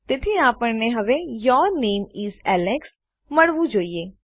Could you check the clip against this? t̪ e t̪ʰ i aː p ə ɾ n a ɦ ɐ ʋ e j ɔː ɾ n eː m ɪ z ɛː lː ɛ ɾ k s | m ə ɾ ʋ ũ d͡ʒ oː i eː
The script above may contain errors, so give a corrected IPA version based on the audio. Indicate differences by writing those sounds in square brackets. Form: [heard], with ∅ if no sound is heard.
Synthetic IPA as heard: t̪ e t̪ʰ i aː p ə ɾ n [e] ɦ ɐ ʋ e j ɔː ɾ n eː m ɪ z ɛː [l] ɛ [∅] k s | m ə [ɽ] ʋ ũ d͡ʒ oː i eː